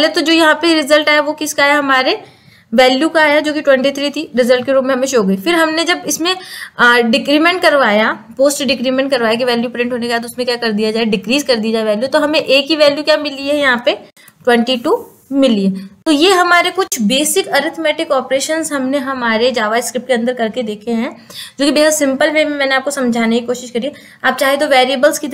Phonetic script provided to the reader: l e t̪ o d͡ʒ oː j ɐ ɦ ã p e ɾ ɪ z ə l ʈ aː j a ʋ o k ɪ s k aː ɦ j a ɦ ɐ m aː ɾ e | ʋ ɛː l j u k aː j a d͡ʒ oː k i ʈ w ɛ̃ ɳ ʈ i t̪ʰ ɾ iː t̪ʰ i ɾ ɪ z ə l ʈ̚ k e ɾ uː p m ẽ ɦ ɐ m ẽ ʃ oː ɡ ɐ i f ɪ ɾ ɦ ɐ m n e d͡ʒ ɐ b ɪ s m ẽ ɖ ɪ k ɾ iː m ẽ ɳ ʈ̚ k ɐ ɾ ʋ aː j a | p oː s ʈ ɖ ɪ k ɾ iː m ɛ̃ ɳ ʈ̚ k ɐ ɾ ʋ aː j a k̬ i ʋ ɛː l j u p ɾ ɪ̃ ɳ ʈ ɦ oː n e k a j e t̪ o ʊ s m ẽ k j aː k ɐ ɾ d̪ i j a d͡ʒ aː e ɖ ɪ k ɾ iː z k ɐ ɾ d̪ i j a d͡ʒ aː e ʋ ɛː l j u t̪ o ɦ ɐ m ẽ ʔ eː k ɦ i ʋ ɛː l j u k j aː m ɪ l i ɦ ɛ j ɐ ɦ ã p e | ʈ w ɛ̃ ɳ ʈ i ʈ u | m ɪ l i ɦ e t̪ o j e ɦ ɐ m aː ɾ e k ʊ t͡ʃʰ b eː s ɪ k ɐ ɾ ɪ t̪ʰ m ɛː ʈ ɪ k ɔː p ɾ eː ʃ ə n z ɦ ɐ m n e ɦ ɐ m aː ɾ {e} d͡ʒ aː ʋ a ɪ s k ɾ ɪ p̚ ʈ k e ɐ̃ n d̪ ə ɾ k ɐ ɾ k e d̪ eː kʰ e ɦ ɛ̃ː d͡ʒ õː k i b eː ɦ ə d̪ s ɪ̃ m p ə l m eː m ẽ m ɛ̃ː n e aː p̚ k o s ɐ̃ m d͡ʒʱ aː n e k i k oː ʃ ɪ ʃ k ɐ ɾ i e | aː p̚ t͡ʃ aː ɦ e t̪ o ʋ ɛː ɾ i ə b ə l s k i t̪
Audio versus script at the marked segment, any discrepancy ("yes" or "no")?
no